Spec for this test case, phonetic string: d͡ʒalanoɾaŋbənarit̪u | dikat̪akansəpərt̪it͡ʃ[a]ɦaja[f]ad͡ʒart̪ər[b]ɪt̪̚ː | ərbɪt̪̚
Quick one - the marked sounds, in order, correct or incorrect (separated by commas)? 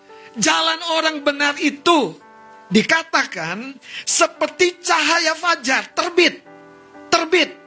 correct, correct, correct